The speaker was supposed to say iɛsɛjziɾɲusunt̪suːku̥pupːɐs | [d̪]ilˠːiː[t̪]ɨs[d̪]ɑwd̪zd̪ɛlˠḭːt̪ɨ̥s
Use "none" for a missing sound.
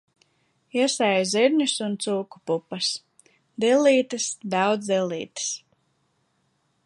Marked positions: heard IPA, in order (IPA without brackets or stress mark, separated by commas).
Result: d̪, t̪, d̪